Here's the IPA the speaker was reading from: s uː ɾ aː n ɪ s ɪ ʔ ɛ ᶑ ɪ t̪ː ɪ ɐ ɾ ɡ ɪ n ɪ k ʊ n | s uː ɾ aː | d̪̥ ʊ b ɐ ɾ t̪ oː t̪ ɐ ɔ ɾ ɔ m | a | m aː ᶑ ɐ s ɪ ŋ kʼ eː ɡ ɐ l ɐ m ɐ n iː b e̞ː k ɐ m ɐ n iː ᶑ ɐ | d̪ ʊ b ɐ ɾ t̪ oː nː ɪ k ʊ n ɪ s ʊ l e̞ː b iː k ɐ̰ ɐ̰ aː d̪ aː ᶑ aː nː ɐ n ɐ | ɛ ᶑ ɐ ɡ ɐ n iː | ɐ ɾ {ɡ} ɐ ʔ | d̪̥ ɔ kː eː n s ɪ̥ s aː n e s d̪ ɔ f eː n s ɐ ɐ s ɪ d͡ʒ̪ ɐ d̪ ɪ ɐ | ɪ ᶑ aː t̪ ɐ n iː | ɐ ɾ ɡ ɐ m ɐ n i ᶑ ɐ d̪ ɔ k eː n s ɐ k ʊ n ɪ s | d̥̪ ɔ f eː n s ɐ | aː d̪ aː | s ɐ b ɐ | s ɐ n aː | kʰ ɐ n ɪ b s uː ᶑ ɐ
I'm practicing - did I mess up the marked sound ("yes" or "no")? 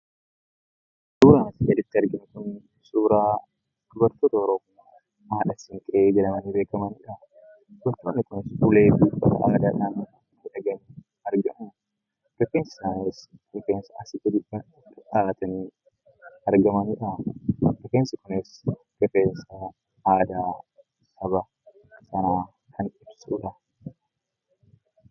no